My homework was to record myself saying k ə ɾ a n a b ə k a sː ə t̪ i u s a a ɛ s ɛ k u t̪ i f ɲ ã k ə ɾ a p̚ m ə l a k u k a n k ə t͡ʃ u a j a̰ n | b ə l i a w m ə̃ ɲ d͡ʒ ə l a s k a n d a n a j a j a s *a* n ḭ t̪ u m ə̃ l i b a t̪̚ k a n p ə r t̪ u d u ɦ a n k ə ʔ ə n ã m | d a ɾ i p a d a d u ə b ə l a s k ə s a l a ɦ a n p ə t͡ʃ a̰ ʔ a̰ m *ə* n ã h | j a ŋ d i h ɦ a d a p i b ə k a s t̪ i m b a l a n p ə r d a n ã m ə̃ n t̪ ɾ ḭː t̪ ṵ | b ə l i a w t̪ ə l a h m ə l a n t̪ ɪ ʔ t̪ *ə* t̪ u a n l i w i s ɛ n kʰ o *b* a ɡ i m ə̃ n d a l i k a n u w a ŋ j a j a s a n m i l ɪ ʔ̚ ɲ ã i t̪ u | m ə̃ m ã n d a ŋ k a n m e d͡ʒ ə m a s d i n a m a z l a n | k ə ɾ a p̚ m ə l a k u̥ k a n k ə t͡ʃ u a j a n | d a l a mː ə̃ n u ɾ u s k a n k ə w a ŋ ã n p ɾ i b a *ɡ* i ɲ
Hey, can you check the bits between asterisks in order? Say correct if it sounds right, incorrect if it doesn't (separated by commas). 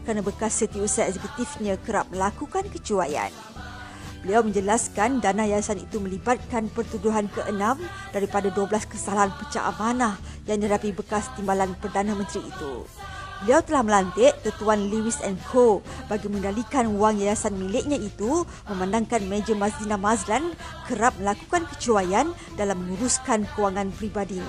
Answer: correct, incorrect, correct, correct, incorrect